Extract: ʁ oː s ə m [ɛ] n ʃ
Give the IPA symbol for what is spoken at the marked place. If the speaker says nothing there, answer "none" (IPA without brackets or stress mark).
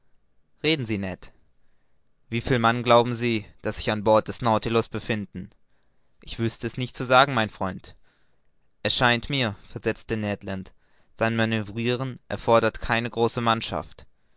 a